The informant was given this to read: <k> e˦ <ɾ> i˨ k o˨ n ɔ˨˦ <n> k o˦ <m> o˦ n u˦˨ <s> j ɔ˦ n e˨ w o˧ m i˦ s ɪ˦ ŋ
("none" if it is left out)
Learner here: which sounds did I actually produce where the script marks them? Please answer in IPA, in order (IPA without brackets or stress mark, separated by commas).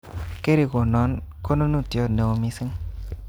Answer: k, ɾ, n, n, t